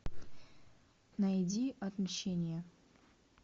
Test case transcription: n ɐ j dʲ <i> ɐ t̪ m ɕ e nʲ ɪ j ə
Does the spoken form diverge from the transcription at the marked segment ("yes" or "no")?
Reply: no